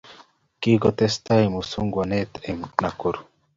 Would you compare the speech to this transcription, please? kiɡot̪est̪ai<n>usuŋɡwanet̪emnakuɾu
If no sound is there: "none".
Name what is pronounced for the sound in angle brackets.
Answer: m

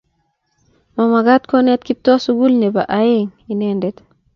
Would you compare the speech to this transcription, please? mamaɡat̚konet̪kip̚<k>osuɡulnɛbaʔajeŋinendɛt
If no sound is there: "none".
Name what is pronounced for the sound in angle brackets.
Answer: t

